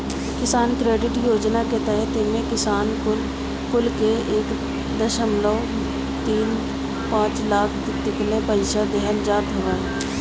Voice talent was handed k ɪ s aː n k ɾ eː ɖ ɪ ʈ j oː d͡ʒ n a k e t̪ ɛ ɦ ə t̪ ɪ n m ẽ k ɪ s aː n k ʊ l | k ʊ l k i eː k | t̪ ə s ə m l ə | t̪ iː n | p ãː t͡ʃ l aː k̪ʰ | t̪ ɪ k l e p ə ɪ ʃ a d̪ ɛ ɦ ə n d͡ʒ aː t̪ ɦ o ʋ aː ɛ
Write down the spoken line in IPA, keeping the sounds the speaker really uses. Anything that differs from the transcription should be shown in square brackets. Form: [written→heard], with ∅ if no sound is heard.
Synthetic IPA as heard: k ɪ s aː n k ɾ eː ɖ ɪ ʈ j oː d͡ʒ n a k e t̪ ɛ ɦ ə t̪ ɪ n m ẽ k ɪ s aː n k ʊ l | k ʊ l k [i→e] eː k | [t̪→d̪] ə [s→ʃ] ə m l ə | t̪ iː n | p ãː t͡ʃ l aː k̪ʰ | t̪ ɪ k l e p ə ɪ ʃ a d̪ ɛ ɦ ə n d͡ʒ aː t̪ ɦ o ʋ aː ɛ